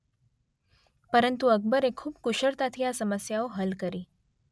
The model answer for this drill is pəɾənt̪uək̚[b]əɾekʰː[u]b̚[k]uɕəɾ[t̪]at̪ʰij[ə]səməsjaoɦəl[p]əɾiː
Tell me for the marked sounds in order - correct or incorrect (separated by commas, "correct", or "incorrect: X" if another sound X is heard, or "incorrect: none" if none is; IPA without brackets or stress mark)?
correct, incorrect: uː, correct, correct, incorrect: a, incorrect: k